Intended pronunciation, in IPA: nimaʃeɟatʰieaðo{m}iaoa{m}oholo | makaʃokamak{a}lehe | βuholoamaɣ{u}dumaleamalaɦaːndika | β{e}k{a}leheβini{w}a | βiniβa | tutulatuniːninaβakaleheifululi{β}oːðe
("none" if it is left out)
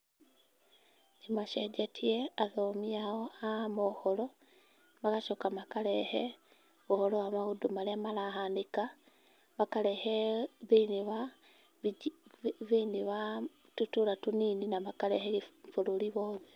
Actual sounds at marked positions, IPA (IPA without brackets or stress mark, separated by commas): m, m, a, u, a, a, β, β